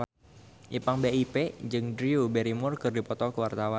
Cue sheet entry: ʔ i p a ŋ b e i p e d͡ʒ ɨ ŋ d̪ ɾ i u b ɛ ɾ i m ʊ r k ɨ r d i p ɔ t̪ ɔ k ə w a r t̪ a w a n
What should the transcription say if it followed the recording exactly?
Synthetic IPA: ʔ i p a ŋ b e i p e d͡ʒ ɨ ŋ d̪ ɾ i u b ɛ ɾ i m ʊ r k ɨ r d i p ɔ t̪ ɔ k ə w a r t̪ a w a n